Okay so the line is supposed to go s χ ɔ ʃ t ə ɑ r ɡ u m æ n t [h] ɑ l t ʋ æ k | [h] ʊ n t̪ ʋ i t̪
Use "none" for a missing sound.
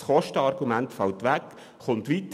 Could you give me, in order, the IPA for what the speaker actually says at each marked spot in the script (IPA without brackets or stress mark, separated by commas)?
f, χ